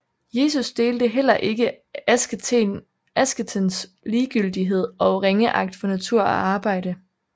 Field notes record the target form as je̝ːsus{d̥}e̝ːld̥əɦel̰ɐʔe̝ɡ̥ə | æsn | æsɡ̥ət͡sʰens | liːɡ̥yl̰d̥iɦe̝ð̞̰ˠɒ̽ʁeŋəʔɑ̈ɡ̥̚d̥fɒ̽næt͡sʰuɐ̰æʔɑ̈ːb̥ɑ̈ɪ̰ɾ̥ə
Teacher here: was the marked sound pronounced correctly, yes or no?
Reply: yes